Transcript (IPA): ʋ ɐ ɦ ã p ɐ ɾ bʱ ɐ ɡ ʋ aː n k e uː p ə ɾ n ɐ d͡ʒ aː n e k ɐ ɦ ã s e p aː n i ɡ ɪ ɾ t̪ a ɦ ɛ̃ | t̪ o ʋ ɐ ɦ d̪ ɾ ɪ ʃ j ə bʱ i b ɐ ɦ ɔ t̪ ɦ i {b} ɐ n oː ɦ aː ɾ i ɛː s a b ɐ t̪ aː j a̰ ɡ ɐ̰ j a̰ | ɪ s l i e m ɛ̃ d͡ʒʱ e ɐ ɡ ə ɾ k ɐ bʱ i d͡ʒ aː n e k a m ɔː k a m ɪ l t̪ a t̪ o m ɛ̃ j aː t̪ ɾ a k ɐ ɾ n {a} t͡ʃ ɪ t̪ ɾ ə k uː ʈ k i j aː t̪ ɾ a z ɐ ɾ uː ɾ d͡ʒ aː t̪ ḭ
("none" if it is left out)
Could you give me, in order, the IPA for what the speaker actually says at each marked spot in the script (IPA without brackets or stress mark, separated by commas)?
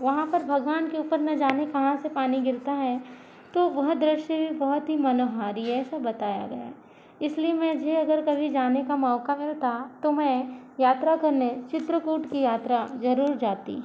m, e